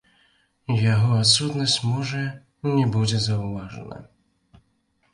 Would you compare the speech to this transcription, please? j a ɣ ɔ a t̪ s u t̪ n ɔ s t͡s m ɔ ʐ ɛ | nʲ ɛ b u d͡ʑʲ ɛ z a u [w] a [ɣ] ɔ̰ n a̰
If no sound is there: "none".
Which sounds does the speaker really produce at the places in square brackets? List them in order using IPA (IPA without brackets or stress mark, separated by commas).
v, ʐ